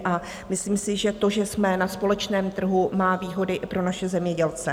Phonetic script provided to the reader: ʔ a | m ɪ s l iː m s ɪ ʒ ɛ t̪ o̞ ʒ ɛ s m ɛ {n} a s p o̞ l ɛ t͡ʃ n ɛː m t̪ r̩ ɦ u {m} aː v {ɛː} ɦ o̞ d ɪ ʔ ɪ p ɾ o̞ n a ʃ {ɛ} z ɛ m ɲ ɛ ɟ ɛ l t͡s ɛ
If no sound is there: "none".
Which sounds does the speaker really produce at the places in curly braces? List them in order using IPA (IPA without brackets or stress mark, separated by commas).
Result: n, m, iː, ɛ